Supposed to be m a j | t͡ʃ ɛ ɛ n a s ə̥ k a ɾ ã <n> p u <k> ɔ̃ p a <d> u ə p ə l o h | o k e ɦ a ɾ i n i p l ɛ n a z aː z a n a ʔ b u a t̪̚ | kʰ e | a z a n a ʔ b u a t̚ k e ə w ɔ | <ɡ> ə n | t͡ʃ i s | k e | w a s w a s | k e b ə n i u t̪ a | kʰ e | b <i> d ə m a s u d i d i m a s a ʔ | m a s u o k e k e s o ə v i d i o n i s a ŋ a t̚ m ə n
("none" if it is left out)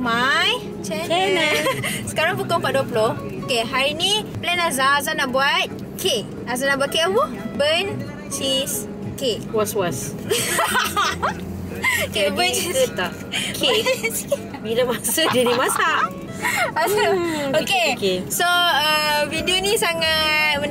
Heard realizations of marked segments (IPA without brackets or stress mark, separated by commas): ŋ, k, d, b, i